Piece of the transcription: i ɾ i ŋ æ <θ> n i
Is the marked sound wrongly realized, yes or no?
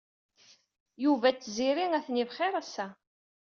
no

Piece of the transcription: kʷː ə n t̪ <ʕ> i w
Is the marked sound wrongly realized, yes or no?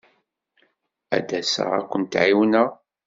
no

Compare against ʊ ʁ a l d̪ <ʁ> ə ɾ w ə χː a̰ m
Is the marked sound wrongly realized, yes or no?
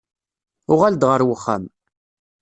no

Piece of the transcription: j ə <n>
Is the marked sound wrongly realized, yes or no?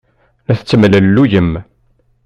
yes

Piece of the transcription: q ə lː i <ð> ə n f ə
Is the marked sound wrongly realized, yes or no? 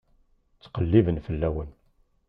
yes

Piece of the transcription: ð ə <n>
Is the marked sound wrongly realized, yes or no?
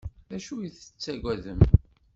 yes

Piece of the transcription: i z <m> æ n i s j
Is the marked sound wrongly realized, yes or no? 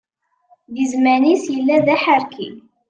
no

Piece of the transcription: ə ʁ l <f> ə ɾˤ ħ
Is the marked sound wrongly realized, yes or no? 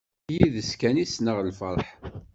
no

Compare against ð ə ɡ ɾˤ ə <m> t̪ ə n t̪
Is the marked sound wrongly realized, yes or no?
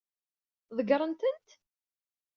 yes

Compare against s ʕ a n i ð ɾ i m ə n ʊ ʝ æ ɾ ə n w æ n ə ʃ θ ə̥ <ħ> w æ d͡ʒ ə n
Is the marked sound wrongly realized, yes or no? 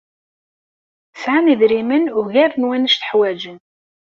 no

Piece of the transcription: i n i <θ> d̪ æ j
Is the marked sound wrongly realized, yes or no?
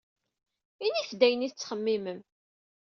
no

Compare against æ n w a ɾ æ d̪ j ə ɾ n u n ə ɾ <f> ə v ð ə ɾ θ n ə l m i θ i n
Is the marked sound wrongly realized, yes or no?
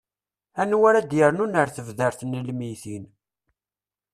yes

